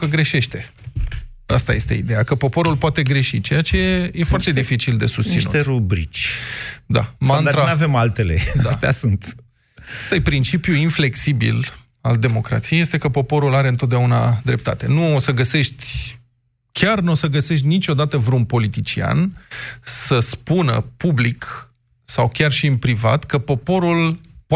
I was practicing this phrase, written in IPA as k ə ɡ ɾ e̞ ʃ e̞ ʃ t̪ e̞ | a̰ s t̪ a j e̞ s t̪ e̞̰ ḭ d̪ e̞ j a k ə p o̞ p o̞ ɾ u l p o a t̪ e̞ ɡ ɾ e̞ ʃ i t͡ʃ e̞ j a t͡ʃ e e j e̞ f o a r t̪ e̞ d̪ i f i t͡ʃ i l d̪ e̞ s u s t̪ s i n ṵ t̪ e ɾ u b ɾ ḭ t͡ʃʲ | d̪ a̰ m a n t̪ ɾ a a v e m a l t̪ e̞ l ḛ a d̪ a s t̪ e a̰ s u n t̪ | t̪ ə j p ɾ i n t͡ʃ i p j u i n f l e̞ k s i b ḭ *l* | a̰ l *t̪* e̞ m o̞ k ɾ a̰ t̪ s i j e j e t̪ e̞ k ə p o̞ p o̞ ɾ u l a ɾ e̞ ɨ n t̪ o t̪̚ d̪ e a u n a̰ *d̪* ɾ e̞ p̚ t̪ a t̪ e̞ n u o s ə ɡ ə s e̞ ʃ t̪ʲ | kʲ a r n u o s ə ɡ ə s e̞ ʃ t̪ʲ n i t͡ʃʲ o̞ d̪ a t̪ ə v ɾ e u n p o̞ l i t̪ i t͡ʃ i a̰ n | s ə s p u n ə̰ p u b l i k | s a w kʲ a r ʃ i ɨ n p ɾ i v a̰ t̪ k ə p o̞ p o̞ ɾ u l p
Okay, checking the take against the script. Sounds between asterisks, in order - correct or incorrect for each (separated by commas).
correct, incorrect, correct